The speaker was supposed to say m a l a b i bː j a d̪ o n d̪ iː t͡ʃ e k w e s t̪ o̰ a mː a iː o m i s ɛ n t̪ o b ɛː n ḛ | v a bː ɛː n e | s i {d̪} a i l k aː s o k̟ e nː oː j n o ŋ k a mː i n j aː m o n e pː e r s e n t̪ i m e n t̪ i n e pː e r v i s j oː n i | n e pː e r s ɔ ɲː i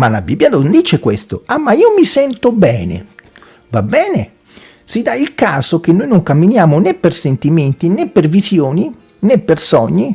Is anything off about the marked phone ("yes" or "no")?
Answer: no